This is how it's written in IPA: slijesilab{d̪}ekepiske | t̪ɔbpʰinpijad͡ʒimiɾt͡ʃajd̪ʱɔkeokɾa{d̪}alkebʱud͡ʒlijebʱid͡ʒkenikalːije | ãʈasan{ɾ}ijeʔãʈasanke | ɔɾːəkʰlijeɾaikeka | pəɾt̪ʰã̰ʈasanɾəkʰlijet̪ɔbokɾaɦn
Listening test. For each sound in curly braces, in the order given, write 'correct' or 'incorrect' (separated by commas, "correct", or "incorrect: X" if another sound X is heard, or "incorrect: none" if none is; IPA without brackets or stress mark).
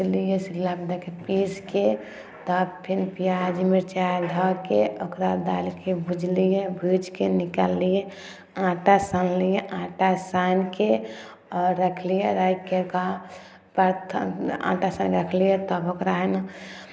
correct, correct, incorrect: l